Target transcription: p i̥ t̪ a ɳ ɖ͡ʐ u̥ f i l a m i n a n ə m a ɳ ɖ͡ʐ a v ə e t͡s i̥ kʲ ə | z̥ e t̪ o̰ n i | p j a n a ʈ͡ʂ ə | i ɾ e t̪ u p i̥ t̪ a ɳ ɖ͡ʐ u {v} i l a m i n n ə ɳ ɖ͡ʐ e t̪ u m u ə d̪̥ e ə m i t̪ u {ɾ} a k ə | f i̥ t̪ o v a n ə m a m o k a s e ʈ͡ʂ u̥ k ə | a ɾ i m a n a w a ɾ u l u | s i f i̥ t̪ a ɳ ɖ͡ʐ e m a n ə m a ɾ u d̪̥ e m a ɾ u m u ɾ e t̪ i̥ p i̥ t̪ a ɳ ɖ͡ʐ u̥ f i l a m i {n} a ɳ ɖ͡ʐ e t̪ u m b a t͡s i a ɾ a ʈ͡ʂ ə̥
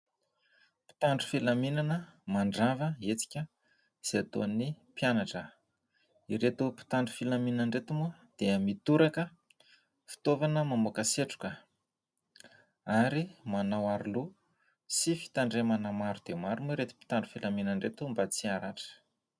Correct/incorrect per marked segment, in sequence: incorrect: f, correct, correct

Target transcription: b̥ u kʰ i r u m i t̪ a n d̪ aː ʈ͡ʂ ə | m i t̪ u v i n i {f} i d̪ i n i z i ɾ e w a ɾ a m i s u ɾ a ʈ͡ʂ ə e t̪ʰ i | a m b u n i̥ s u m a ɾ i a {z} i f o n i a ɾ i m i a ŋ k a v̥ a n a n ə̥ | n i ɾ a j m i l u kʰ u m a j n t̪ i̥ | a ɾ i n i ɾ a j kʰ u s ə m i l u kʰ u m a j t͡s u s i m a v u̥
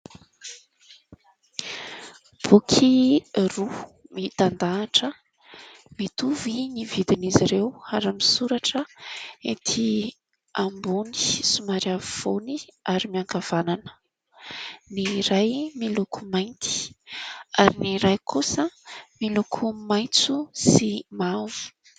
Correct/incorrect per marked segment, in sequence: incorrect: v, incorrect: v

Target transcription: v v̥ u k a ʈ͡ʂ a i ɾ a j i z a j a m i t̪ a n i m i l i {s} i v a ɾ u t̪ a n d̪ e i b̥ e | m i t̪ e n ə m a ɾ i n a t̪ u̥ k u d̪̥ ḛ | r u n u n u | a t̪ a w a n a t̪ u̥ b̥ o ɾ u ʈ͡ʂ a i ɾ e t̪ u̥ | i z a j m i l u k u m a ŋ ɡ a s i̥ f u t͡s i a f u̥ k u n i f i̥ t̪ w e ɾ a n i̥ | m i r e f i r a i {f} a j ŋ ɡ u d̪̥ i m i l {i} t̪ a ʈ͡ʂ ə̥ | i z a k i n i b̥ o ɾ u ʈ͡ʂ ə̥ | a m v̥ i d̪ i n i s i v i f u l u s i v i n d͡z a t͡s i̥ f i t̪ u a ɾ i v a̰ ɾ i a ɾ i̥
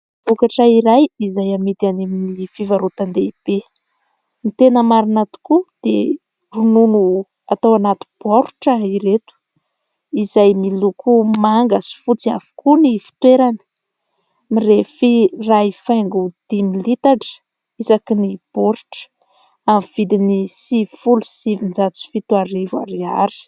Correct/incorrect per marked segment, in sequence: incorrect: f, correct, correct

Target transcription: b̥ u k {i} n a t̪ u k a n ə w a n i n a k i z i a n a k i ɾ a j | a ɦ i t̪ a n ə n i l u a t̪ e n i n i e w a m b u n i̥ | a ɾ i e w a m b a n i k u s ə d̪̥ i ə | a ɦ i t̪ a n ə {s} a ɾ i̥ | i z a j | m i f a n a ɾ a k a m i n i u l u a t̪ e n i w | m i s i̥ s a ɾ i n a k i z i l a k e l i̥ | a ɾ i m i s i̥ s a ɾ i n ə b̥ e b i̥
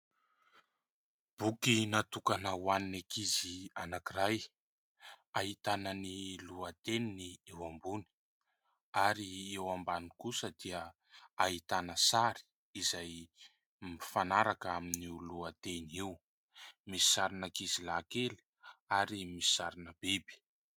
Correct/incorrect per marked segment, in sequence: correct, correct

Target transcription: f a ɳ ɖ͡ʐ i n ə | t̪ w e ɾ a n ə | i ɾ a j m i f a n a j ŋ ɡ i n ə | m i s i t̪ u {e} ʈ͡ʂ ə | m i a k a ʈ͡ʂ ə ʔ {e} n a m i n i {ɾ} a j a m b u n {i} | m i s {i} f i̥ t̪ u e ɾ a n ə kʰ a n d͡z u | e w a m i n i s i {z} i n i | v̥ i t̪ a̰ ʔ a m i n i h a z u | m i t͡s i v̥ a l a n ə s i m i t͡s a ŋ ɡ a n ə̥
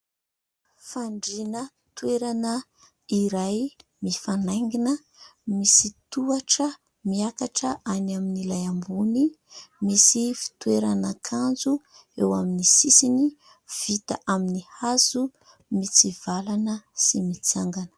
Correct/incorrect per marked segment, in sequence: incorrect: a, incorrect: a, incorrect: l, correct, correct, incorrect: s

